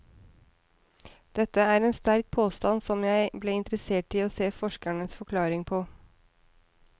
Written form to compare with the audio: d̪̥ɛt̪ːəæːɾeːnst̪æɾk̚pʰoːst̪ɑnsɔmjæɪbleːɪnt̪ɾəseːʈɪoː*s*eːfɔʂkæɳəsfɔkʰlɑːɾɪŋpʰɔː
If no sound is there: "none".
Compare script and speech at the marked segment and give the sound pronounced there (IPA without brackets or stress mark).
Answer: s